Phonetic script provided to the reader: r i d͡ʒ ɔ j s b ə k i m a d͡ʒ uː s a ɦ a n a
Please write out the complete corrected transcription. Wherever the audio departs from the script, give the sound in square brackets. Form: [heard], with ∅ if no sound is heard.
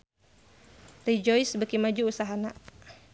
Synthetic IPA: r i d͡ʒ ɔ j s b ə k i m a d͡ʒ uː s a ɦ a n a